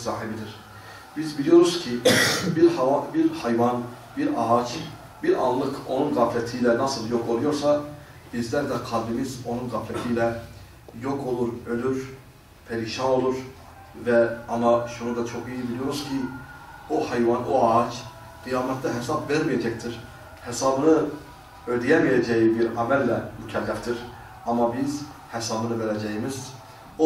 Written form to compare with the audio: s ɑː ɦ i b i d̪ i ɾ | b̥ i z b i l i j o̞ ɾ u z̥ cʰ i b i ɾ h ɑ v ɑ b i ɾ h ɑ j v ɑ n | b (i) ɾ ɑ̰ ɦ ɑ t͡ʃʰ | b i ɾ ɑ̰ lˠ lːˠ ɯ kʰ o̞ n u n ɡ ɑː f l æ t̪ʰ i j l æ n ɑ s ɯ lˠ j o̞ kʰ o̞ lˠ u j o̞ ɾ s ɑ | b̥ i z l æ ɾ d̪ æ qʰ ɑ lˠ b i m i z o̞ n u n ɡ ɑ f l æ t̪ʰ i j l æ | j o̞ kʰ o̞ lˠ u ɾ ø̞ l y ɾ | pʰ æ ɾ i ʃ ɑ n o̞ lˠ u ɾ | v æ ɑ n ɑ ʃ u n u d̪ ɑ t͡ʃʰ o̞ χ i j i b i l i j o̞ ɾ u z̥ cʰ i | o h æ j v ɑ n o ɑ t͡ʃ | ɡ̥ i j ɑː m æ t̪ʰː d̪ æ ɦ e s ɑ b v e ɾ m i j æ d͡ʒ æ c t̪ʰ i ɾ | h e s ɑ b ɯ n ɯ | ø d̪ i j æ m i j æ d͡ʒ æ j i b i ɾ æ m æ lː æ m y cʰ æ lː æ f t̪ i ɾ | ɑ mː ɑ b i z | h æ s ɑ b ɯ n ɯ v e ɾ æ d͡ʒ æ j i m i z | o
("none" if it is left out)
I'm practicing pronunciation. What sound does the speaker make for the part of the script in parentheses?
i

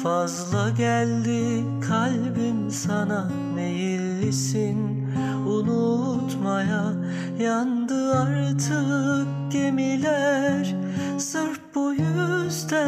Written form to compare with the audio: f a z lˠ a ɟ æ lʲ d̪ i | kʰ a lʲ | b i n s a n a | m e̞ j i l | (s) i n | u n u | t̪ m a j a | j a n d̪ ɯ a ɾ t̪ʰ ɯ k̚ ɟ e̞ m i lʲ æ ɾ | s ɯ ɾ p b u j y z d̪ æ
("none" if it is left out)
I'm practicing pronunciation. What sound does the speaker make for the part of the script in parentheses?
s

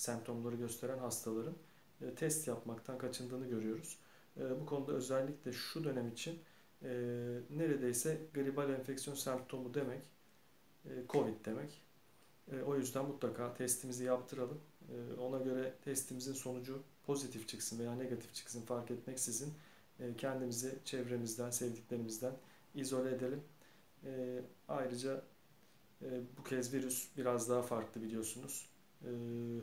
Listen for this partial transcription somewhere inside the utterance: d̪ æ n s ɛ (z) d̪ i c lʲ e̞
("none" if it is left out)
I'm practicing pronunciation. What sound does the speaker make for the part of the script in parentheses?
v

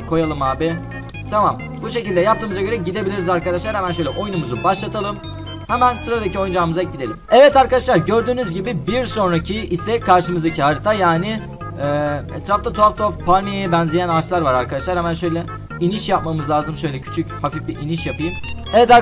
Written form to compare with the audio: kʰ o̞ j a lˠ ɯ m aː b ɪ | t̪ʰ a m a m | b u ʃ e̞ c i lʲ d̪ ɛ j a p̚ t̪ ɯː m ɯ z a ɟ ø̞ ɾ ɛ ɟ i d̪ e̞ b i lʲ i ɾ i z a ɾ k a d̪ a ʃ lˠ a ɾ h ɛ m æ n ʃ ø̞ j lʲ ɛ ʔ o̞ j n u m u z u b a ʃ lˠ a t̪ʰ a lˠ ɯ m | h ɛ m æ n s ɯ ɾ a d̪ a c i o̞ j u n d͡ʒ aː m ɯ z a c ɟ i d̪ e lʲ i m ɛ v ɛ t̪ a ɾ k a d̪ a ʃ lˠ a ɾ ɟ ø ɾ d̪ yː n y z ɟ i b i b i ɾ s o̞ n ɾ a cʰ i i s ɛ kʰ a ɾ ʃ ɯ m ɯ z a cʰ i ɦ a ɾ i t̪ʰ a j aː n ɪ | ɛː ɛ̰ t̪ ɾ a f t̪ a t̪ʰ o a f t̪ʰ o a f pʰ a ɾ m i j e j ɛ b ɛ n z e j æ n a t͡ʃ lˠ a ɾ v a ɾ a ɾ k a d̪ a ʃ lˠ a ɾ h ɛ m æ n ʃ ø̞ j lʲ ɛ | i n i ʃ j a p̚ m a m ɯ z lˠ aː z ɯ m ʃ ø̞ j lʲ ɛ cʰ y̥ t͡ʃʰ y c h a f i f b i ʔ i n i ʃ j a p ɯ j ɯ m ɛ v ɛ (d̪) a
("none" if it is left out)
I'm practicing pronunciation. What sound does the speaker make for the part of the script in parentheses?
t̪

